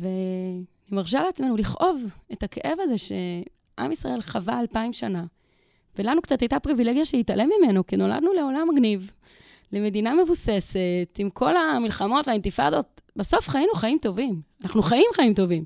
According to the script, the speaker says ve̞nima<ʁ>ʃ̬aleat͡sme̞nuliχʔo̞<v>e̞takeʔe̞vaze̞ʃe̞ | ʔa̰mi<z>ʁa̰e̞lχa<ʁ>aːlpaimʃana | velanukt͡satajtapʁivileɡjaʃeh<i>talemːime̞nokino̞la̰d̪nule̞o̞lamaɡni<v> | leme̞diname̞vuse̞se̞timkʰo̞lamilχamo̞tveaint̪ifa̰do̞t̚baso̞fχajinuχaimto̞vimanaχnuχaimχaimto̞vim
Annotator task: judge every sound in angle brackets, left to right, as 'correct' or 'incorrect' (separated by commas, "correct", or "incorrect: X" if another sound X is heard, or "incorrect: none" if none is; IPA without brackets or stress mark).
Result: correct, correct, incorrect: s, incorrect: v, correct, correct